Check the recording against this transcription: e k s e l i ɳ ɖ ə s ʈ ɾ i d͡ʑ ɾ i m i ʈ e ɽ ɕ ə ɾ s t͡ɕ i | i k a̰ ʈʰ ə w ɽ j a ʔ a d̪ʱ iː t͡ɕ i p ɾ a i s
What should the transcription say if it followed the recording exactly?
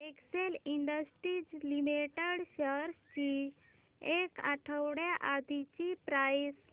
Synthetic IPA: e k s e l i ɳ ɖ ə s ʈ ɾ i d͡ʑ l i m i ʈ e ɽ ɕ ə ɾ s t͡ɕ i | e k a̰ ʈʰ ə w ɽ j a ʔ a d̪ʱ i t͡ɕ i p ɾ a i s